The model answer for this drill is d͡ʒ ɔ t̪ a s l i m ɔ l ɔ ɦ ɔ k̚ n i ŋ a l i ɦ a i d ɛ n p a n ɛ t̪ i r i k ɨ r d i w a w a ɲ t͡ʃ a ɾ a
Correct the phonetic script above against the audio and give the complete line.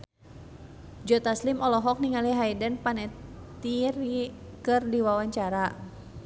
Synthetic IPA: d͡ʒ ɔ t̪ a s l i m ɔ l ɔ ɦ ɔ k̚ n i ŋ a l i ɦ a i d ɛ n p a n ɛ t̪ i r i k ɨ r d i w a w a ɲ t͡ʃ a ɾ a